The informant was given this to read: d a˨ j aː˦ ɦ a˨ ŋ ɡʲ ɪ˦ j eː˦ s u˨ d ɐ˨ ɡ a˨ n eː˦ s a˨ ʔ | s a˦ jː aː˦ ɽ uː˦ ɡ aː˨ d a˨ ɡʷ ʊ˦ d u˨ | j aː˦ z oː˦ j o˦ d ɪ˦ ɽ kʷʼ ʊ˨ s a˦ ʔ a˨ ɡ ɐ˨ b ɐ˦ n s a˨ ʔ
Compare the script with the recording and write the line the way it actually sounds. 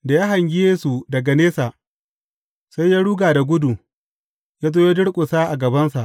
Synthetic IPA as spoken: d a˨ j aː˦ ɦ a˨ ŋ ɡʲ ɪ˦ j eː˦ s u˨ d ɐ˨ ɡ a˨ n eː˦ s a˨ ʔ | s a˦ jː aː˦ ɽ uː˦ ɡ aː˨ d a˨ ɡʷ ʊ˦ d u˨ | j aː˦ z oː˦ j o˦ d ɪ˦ ɽ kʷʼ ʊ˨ s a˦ ʔ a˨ ɡ ɐ˨ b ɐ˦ n s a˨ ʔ